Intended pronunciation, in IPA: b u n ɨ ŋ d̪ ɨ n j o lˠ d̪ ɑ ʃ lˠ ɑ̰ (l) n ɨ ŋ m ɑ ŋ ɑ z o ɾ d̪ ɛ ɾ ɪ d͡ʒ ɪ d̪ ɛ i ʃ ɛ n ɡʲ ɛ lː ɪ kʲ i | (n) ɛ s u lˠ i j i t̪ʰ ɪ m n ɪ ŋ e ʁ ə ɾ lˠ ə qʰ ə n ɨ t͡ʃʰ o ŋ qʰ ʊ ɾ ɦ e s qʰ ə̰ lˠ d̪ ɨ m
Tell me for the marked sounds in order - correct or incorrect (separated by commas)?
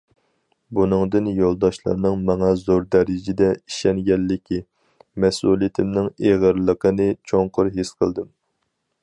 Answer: incorrect, incorrect